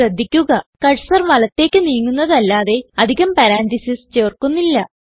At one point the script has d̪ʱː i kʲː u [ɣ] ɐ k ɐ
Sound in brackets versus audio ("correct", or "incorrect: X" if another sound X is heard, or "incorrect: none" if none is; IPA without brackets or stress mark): correct